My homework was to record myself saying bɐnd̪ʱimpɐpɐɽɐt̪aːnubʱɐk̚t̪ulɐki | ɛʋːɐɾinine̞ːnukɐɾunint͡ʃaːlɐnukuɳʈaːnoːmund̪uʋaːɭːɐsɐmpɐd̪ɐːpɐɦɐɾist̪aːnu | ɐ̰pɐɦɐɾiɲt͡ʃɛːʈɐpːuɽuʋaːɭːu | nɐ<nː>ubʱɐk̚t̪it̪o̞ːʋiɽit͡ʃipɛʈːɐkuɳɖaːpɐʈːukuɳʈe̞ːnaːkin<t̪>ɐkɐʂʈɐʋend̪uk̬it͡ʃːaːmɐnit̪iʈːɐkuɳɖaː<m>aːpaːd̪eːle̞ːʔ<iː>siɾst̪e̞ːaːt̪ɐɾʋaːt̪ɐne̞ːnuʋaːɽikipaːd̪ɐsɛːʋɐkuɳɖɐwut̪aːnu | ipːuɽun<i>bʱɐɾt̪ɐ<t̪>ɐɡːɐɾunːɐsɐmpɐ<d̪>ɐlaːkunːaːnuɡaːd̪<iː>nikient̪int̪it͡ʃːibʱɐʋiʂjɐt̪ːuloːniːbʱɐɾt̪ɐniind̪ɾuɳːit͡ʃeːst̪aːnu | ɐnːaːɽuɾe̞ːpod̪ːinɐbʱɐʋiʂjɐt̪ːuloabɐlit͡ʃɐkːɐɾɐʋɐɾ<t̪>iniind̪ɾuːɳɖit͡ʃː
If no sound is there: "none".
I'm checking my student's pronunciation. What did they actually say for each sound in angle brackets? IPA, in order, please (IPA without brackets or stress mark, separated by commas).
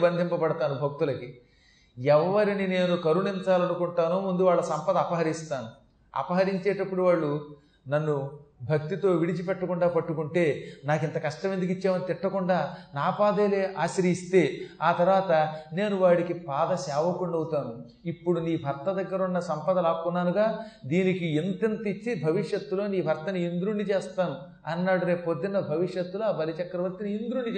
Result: nː, t̪, n, aː, iː, d̪, d̪, iː, t̪